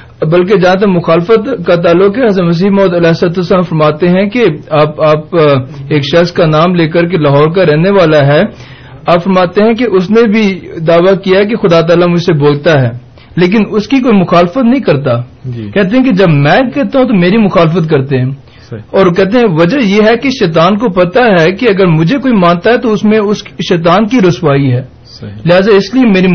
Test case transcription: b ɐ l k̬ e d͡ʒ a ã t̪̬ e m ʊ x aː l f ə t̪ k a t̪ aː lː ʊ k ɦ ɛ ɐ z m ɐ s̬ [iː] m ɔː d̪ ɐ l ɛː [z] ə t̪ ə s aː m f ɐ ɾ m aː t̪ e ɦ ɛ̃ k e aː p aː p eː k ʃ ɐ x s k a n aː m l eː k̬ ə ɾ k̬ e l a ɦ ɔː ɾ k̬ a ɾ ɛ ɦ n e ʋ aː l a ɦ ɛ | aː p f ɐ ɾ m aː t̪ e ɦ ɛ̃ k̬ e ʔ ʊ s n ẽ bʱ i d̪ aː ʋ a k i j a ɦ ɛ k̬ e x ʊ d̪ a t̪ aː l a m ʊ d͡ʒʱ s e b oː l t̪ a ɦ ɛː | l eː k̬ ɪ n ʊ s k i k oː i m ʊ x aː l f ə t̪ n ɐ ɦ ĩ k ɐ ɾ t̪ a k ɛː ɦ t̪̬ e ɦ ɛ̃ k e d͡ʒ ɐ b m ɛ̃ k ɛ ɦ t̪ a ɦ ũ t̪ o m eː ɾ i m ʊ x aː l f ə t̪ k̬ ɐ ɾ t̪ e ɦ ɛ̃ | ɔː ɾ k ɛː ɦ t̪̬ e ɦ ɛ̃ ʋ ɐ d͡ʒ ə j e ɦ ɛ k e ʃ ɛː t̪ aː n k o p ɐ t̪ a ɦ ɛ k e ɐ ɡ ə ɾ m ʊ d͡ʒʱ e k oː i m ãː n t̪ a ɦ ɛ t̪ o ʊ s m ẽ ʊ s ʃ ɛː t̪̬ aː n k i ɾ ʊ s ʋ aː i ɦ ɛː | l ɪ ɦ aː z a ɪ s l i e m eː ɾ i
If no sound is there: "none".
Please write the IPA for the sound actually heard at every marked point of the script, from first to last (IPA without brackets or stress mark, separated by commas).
iː, s